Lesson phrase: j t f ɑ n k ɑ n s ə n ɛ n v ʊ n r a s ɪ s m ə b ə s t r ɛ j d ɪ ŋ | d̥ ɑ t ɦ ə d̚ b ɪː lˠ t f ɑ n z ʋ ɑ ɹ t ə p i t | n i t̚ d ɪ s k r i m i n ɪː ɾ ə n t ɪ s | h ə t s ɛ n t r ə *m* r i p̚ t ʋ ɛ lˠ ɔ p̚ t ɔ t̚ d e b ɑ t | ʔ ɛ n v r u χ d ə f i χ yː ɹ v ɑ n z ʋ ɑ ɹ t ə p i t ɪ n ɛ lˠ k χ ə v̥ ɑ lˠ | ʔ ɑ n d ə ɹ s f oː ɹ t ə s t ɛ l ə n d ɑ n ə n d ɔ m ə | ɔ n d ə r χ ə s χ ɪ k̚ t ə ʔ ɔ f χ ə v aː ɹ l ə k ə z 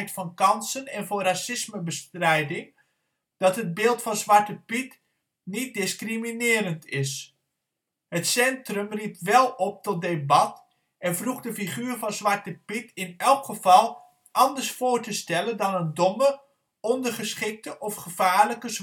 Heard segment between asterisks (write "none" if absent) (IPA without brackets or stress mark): m